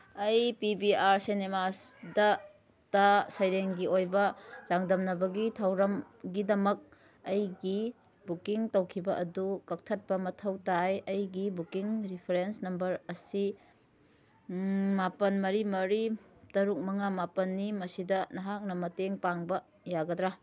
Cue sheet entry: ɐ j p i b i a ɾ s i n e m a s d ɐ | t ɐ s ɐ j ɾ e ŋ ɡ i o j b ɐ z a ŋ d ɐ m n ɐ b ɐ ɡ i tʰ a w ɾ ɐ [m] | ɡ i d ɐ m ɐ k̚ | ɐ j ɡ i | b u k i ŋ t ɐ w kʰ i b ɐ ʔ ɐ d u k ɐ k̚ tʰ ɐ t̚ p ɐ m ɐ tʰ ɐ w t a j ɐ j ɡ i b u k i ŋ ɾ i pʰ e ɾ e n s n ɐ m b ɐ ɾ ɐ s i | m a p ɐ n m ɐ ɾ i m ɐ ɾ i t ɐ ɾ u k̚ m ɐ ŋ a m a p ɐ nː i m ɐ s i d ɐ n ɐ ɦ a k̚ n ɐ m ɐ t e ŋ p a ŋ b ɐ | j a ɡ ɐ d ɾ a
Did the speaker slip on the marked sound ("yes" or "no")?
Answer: no